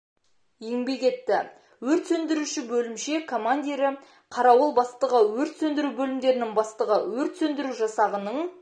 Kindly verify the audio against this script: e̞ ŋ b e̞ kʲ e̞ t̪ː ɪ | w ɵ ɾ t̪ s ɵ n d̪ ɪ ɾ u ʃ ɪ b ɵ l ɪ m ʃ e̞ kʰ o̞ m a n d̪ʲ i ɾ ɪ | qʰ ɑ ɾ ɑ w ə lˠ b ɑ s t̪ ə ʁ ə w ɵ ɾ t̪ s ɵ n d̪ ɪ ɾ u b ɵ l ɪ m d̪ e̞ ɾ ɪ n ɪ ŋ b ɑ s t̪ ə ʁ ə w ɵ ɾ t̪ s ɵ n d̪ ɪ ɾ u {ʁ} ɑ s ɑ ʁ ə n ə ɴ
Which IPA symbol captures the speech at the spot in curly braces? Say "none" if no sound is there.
ʒ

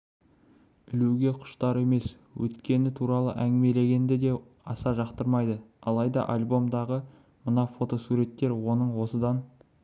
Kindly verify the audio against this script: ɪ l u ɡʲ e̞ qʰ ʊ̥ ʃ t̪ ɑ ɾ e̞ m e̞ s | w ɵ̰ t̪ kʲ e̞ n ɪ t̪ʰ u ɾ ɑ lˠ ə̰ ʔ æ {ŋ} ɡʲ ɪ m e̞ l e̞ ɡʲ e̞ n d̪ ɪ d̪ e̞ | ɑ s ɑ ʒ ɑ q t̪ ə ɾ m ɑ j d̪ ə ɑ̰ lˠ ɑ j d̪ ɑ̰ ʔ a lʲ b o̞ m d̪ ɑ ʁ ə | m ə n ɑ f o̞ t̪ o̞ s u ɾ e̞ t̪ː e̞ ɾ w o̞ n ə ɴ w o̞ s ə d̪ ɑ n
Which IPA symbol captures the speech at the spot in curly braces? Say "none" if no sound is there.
ŋ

